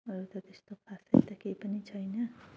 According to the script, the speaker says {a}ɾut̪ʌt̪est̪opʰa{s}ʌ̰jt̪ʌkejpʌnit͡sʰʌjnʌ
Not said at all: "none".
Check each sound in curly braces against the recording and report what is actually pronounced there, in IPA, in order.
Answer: ʌ, s

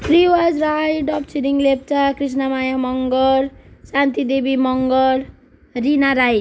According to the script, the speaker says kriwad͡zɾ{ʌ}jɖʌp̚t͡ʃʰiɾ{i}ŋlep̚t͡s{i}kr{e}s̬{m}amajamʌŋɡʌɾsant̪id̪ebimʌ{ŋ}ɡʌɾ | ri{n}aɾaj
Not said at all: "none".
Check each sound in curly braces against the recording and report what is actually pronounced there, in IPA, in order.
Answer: a, i, a, i, n, ŋ, n

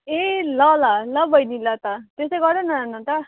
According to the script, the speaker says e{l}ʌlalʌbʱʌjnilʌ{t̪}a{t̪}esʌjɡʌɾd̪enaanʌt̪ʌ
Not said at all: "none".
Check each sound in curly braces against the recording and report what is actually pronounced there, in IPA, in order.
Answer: l, t̪, t̪

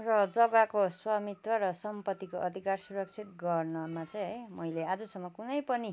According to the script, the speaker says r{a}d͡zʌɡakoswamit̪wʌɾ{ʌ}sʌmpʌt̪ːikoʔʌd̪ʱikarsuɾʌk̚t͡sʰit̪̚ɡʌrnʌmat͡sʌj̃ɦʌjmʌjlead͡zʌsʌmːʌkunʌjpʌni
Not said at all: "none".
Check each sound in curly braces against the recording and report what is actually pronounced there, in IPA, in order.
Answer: ʌ, ʌ

